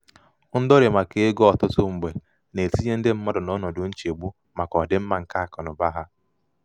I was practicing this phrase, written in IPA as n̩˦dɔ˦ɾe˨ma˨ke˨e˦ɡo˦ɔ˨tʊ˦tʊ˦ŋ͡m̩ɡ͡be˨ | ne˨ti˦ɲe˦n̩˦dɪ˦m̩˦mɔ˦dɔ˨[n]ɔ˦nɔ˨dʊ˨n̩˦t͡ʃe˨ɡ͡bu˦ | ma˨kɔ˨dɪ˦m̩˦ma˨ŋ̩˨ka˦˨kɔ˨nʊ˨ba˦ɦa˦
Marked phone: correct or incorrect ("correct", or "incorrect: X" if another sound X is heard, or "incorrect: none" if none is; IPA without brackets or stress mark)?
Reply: correct